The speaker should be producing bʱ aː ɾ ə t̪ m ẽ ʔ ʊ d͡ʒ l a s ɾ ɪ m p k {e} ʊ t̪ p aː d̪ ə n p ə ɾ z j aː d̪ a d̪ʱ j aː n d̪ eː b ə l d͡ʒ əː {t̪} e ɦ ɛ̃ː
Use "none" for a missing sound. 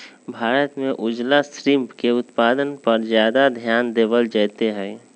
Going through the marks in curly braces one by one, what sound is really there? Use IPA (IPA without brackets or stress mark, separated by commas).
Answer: e, t̪